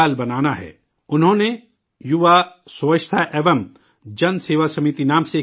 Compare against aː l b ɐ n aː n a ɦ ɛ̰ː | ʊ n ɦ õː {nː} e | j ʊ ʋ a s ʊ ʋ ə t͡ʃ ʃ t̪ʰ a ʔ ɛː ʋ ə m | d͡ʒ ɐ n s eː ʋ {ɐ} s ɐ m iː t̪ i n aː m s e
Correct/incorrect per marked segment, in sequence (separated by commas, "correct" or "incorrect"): incorrect, incorrect